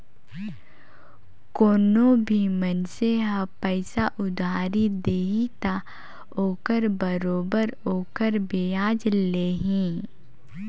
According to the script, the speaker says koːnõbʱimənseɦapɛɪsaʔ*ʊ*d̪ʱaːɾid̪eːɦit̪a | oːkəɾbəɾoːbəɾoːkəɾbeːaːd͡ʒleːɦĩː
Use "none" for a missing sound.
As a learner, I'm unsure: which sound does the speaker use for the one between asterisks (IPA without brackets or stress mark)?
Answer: ʊ